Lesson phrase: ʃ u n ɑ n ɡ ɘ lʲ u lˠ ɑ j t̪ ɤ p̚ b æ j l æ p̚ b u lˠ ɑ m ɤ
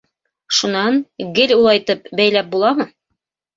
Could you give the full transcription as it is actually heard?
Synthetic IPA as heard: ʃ u n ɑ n ɡ ɘ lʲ u lˠ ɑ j t̪ ɤ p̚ b æ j l æ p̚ b u lˠ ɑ m ɤ